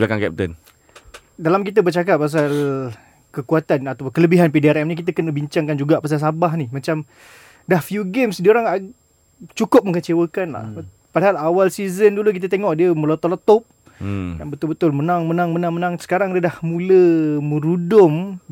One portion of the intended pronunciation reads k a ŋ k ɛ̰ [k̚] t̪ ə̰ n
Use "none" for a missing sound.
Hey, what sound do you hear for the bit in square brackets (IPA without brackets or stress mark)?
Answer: p̚